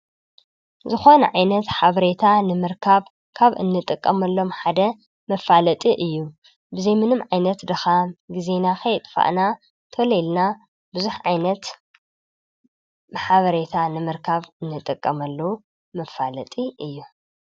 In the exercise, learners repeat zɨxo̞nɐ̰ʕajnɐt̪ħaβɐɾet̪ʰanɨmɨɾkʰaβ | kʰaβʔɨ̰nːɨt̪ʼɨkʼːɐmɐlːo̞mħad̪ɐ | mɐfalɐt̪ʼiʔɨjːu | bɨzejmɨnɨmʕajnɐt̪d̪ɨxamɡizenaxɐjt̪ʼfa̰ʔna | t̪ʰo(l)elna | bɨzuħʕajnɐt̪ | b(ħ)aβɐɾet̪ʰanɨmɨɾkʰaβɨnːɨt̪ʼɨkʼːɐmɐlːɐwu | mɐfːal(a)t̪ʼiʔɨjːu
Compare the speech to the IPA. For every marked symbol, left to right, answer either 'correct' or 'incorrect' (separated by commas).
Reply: correct, correct, incorrect